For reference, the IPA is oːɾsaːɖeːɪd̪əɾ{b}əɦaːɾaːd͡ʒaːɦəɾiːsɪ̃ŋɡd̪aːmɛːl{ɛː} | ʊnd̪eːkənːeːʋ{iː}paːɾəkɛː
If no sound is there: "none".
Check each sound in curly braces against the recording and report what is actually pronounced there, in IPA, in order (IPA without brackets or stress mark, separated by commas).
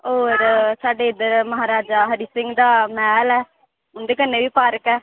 m, ɛː, iː